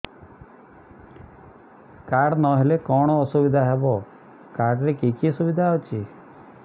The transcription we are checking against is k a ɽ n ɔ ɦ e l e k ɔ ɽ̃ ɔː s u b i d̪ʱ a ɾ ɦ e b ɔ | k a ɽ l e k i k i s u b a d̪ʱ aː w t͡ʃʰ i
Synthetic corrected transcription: k a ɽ n ɔ ɦ e l e k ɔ ɽ̃ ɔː s u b i d̪ʱ a ɦ e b ɔ | k a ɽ ɾ e k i k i s u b i d̪ʱ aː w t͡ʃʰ i